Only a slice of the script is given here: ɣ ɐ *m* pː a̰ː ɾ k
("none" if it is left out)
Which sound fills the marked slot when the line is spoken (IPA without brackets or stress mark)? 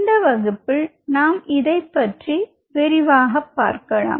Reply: none